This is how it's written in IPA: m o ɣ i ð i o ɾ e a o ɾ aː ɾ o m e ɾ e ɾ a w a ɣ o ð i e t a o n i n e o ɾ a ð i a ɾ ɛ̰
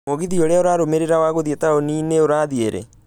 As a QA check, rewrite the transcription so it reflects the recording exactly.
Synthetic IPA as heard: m o ɣ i ð i o ɾ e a o ɾ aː ɾ o m e ɾ e ɾ a w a ɣ o ð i e t a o n i n e o ɾ a ð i e ɾ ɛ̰